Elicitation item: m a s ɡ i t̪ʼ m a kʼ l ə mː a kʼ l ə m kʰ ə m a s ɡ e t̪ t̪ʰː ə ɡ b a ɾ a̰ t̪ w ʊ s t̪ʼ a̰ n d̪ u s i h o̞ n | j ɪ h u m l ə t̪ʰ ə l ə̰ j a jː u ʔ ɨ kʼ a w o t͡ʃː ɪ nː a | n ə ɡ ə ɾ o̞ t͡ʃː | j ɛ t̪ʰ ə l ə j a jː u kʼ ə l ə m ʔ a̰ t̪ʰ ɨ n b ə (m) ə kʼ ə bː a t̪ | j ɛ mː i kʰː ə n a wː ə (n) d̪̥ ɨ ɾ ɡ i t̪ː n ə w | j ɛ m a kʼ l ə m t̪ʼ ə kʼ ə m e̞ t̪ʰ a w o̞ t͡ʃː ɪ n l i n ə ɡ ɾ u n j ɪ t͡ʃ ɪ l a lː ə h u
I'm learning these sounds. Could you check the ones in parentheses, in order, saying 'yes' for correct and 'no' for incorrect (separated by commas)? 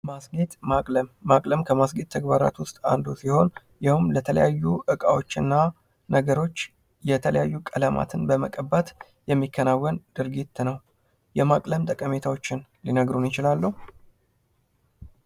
yes, yes